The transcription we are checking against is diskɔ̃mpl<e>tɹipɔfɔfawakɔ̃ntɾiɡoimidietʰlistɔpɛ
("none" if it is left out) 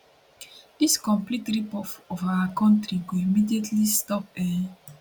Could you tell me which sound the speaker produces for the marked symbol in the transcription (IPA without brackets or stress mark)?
i